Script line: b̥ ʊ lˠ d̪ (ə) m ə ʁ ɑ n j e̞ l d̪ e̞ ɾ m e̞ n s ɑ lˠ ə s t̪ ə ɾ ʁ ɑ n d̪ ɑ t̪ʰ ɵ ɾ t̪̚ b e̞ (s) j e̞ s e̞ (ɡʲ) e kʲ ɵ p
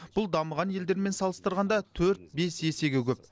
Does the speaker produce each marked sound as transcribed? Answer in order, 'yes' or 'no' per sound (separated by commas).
no, yes, yes